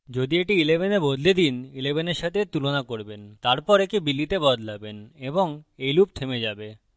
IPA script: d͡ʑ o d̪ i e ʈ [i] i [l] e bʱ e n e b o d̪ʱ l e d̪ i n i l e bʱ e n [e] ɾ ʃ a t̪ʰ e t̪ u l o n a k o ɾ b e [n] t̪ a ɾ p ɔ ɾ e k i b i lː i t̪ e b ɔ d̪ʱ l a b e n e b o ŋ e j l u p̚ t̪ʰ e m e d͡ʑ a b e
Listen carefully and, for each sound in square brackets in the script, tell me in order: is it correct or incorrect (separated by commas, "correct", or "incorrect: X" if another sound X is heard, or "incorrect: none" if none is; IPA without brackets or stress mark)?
correct, correct, correct, correct